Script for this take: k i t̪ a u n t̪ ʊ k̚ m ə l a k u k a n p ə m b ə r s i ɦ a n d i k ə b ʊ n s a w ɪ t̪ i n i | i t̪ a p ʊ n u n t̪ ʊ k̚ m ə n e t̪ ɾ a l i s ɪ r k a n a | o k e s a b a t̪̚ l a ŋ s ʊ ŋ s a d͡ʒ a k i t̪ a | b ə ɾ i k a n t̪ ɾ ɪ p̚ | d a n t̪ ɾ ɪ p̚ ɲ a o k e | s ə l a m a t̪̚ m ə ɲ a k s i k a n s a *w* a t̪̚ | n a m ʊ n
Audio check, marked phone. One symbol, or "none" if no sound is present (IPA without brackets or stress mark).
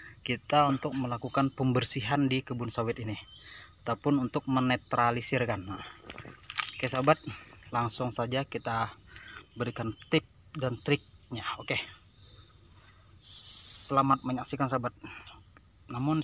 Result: b